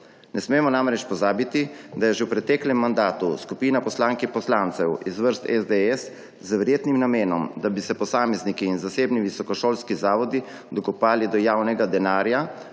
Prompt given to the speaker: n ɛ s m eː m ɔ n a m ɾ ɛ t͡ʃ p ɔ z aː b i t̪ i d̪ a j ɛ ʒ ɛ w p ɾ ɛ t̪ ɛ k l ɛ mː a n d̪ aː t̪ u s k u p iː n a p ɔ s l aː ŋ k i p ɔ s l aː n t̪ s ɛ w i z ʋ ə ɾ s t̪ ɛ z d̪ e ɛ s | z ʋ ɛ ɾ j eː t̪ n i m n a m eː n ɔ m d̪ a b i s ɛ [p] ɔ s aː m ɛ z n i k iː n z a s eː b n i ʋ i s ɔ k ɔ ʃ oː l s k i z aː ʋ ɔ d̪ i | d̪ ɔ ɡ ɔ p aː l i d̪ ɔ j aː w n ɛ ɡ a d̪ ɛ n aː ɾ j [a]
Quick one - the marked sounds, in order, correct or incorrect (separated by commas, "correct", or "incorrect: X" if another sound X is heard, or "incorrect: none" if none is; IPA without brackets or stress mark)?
correct, correct